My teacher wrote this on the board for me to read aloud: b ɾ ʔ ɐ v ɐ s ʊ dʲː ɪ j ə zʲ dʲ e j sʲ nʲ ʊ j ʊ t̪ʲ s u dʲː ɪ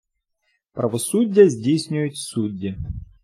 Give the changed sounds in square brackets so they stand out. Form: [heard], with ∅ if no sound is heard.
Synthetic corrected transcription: [p] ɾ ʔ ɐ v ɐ s [u] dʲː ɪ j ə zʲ dʲ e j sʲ nʲ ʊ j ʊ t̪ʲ s u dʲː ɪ